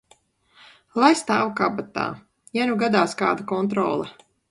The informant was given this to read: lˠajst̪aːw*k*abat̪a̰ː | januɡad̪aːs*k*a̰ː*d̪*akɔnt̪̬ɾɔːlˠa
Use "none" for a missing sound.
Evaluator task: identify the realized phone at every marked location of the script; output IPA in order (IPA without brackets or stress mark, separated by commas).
k, k, d̪